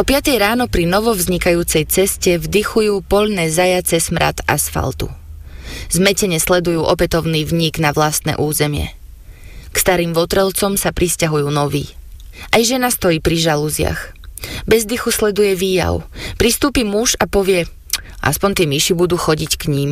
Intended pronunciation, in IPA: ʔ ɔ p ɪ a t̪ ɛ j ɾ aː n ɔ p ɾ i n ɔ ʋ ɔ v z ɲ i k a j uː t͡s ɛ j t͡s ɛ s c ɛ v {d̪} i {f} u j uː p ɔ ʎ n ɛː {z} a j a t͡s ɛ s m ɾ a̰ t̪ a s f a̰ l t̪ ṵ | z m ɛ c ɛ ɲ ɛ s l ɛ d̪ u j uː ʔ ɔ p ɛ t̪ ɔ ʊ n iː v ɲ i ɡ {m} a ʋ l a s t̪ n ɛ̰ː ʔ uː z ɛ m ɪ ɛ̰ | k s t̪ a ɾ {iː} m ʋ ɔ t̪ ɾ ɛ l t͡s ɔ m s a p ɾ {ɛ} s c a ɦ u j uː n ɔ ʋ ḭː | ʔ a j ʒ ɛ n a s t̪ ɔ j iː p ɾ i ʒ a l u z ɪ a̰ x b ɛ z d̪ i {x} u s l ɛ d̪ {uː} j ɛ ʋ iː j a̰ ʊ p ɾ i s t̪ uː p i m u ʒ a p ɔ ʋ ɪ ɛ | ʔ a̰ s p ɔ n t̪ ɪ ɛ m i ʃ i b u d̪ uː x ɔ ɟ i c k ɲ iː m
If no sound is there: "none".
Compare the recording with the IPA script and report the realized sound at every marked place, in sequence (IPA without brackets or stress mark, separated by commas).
d̪, x, z, n, iː, i, x, u